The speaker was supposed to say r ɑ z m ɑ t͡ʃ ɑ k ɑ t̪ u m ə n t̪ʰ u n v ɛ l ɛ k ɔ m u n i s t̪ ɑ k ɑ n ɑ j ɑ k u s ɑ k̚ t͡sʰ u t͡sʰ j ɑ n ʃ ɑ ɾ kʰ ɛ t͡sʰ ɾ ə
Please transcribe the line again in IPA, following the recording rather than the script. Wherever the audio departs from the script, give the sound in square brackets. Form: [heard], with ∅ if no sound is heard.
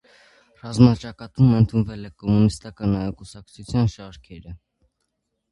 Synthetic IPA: r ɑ z m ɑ t͡ʃ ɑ k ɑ t̪ u m ə n t̪ʰ u n v ɛ l ɛ k ɔ m u n i s t̪ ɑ k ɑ n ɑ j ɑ k u s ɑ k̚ t͡sʰ u t͡sʰ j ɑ n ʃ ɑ ɾ kʰ ɛ [∅] ɾ ə